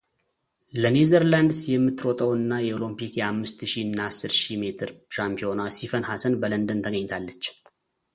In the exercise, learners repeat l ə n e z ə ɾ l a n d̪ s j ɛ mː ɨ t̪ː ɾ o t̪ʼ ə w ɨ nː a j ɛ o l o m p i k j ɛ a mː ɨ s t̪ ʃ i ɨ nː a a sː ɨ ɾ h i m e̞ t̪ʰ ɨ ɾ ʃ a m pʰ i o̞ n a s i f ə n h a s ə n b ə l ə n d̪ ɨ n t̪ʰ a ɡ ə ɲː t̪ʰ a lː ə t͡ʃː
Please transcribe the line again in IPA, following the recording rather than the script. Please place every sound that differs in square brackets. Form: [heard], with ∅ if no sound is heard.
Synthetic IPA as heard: l ə n e z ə ɾ l a n d̪ s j ɛ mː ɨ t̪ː ɾ o t̪ʼ ə w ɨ nː a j ɛ o l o m p i k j ɛ a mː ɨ s t̪ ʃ i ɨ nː a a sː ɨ ɾ [ʃ] i m e̞ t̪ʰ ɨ ɾ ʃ a m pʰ i o̞ n a s i f ə n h a s ə n b ə l ə n d̪ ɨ n t̪ʰ [ə] ɡ ə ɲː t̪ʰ a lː ə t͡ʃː